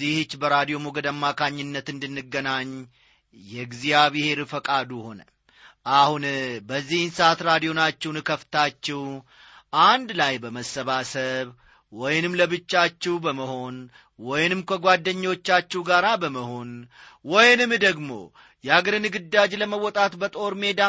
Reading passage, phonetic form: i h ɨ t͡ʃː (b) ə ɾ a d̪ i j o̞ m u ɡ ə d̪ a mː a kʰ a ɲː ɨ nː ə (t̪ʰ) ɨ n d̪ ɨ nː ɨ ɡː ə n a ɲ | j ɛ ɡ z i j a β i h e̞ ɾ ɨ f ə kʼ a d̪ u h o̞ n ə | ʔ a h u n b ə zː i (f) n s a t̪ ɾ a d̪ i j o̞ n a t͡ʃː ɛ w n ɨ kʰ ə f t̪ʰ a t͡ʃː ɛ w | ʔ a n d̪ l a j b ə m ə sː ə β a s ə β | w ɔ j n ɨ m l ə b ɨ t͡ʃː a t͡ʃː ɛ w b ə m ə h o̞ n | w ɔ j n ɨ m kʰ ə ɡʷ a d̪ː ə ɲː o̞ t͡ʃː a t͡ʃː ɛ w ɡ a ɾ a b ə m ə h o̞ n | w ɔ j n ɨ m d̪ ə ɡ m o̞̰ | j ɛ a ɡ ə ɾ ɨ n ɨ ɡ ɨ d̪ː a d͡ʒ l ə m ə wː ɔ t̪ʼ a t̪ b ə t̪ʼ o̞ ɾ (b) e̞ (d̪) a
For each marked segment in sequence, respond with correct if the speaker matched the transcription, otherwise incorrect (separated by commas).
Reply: correct, incorrect, incorrect, incorrect, correct